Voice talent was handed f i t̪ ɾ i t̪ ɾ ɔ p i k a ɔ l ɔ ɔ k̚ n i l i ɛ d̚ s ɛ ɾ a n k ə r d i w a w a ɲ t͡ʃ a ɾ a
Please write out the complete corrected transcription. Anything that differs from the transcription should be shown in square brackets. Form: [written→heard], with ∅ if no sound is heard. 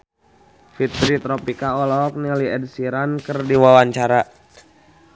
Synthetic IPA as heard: f i t̪ ɾ i t̪ ɾ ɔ p i k a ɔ l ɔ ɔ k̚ n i l i ɛ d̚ s [ɛ→i] ɾ a n k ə r d i w a w a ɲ t͡ʃ a ɾ a